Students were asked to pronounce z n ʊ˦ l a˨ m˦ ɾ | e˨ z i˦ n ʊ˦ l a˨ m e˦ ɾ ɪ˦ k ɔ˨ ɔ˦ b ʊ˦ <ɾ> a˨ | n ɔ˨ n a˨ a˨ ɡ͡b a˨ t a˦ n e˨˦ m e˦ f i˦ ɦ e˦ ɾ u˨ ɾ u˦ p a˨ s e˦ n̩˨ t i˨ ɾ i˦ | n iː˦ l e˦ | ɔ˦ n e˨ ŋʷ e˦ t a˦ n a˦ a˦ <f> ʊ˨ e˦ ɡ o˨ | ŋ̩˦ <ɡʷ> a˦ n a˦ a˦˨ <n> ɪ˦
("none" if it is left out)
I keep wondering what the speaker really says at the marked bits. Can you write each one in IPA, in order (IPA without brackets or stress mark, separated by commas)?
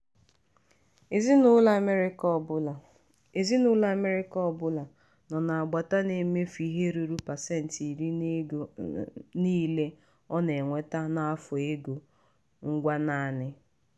l, f, ɡʷ, n